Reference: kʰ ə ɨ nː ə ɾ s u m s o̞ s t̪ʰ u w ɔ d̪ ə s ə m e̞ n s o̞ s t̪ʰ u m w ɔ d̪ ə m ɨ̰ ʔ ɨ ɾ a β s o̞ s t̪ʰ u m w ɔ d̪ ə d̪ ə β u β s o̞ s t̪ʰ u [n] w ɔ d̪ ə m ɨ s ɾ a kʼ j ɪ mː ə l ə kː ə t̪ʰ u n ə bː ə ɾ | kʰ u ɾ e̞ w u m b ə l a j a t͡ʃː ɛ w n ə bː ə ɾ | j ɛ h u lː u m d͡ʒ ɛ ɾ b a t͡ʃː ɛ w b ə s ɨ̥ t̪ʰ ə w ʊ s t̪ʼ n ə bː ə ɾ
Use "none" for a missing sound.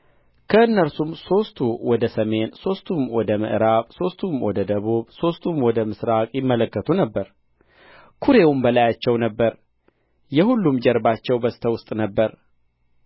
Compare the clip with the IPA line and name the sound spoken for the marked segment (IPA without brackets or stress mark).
m